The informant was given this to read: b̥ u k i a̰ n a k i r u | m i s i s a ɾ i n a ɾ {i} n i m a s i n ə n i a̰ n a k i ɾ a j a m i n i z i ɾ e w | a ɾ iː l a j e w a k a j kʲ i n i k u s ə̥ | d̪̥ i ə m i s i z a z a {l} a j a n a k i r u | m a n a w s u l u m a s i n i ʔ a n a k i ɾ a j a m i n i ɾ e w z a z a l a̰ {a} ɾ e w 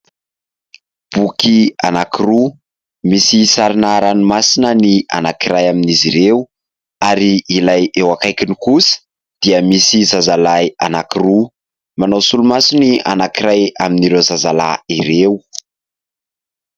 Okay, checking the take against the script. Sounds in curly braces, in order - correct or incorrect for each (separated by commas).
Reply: incorrect, correct, incorrect